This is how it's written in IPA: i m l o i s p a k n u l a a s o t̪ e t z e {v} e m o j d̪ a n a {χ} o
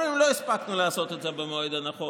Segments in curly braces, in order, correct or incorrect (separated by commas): incorrect, correct